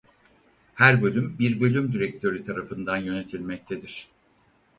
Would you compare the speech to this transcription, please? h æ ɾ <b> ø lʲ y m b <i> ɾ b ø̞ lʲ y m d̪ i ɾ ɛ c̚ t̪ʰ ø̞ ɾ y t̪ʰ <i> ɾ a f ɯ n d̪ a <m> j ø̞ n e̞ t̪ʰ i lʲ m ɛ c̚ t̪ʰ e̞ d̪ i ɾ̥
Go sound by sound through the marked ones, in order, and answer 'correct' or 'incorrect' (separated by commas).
correct, correct, incorrect, incorrect